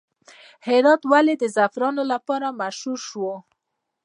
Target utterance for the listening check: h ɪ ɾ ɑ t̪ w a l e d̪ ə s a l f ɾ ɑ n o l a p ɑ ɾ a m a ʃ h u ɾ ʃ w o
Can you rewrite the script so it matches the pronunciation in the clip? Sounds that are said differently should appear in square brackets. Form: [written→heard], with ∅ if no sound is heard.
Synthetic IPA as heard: h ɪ ɾ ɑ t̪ w a l e d̪ ə [s→z] a [l→∅] f ɾ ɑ n o l a p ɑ ɾ a m a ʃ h u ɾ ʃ w o

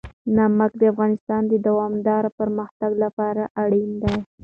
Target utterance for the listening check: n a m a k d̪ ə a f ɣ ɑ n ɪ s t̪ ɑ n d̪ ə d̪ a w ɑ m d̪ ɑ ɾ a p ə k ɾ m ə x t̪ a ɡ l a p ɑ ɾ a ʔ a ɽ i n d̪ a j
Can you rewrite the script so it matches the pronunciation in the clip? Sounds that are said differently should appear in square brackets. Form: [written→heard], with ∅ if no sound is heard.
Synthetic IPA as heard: n a m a k d̪ ə a f ɣ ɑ n ɪ s t̪ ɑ n d̪ ə d̪ a w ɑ m d̪ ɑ ɾ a p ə [k→∅] ɾ m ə x t̪ a ɡ l a p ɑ ɾ a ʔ a ɽ i n d̪ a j

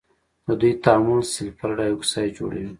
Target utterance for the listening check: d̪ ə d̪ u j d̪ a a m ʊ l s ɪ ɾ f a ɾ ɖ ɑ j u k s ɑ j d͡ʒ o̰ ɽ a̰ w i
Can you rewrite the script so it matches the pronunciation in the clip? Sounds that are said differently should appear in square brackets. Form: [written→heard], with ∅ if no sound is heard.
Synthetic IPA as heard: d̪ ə d̪ u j [d̪→t̪] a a m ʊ l s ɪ [ɾ→l] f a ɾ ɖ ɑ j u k s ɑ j d͡ʒ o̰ ɽ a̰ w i

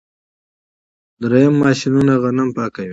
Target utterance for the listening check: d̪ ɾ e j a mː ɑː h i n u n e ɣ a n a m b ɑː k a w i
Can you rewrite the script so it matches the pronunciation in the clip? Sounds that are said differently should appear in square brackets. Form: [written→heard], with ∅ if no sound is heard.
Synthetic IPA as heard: d̪ ɾ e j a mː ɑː [h→ʃ] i n u n [e→a] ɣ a n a m [b→p] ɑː k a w i

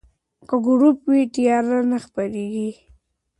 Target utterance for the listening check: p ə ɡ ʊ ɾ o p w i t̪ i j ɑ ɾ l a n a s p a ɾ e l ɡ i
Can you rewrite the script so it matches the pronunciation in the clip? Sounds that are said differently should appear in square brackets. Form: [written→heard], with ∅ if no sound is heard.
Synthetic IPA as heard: [p→k] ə ɡ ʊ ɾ [o→u] p w i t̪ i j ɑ ɾ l a n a [s→x] p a ɾ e [l→∅] ɡ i

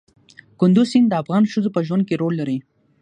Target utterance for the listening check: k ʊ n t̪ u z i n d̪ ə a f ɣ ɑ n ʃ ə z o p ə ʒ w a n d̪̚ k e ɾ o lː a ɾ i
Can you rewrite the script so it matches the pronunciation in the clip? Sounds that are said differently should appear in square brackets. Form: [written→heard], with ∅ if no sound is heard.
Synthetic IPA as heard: k ʊ n [t̪→d̪] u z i n d̪ ə a f ɣ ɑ n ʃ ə z o p ə ʒ w a n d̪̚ k e ɾ o lː a ɾ i

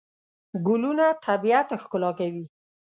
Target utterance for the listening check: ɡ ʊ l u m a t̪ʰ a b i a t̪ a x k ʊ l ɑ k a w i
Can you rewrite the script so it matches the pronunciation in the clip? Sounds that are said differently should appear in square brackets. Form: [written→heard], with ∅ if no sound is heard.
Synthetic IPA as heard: ɡ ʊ l u [m→n] a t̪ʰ a b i a t̪ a x k ʊ l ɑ k a w i

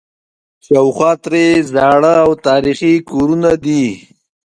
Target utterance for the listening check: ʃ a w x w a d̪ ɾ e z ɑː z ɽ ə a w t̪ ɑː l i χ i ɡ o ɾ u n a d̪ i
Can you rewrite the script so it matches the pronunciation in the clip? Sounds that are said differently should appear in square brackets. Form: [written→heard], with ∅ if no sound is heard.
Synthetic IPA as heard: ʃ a w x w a [d̪→t̪] ɾ e z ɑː [z→∅] ɽ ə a w t̪ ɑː [l→ɾ] i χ i [ɡ→k] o ɾ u n a d̪ i

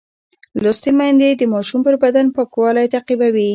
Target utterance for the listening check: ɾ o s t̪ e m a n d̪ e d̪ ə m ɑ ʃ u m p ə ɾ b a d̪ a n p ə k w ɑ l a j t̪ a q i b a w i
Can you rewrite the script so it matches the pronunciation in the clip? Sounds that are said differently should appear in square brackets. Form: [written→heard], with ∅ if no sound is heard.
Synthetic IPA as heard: [ɾ→l] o s t̪ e m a n d̪ e d̪ ə m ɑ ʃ u m p ə ɾ b a d̪ a n p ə k w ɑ l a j t̪ a q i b a w i

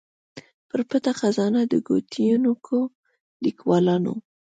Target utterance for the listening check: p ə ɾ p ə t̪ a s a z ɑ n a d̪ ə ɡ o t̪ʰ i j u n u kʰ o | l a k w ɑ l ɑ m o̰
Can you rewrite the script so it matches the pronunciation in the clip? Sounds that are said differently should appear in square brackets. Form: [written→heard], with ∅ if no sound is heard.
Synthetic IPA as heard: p ə ɾ p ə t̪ a [s→x] a z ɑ n a d̪ ə ɡ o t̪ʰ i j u n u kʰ o | l [a→i] k w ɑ l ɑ [m→n] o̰

